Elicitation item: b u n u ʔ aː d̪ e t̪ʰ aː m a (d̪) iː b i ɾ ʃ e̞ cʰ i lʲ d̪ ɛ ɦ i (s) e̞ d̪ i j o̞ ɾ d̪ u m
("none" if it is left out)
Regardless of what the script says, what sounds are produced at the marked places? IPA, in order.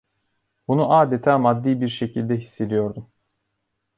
d̪ː, sː

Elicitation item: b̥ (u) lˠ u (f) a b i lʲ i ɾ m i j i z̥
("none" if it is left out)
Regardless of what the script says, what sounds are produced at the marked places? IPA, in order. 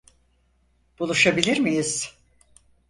u, ʃ

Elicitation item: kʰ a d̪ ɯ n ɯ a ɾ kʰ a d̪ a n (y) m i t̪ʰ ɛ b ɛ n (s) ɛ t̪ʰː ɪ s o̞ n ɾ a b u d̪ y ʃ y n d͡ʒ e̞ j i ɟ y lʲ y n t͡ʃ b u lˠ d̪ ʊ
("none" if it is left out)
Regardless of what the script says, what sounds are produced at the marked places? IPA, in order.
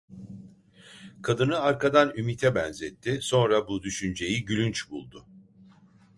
y, z

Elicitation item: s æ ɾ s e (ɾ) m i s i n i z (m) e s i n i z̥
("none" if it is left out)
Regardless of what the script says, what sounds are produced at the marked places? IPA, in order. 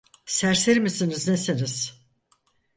ɾ, n

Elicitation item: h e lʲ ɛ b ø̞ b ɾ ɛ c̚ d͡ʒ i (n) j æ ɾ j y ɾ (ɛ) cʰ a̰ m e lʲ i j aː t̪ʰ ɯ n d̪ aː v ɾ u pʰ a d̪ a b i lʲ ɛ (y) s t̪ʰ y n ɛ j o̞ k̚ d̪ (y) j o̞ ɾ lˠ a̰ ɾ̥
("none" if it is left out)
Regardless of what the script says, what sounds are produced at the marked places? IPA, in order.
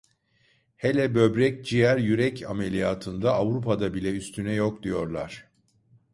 none, ɛ, y, i

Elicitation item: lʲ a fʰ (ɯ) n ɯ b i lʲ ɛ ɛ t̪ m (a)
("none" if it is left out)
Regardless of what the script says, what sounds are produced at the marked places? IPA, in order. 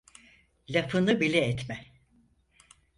ɯ, ɛ

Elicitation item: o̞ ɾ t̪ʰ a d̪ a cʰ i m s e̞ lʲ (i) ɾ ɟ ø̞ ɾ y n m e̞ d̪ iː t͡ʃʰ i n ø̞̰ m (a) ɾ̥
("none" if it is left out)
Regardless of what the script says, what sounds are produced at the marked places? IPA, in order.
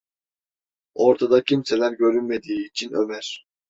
æ, æ

